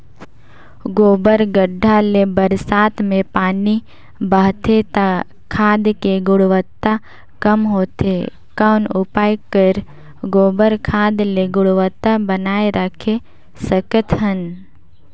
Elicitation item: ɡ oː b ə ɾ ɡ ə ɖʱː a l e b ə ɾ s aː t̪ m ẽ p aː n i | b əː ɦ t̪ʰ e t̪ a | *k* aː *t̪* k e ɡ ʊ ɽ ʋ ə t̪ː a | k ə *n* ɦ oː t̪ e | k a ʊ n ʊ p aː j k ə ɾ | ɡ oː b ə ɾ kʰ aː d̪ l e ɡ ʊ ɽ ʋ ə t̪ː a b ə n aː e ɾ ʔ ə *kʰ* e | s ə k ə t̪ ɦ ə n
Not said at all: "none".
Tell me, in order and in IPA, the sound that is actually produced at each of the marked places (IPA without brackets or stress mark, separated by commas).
kʰ, d̪, m, kʰ